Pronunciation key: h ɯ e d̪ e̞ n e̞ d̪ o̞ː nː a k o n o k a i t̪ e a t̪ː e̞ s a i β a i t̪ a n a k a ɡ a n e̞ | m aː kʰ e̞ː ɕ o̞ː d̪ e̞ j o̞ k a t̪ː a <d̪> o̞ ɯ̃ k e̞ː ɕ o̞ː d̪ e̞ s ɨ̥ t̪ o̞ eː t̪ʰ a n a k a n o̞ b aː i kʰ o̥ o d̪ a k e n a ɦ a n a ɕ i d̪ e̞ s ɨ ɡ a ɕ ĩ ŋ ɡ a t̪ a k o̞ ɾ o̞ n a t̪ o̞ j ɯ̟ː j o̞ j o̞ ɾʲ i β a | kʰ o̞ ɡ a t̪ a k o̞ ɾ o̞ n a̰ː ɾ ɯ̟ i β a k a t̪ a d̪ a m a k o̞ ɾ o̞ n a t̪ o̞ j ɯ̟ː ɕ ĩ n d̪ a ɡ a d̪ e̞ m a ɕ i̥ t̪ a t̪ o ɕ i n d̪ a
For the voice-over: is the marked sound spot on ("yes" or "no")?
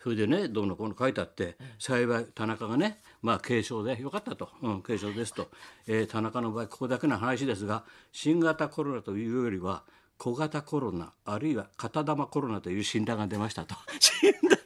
no